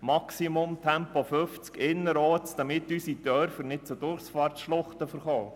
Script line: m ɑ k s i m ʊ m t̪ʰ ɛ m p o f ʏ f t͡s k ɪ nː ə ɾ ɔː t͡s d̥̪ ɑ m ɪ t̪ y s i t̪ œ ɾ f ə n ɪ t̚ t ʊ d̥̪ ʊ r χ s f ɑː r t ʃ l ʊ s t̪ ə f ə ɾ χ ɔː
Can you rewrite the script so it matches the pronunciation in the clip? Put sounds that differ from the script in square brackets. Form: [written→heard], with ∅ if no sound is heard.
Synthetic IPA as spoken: m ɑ k s i m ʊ m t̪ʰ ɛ m p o f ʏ f t͡s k ɪ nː ə ɾ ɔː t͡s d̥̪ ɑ m ɪ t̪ y s i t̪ œ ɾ f ə n ɪ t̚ [t→t͡s] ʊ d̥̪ ʊ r χ s f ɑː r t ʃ l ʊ [s→χ] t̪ ə f ə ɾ χ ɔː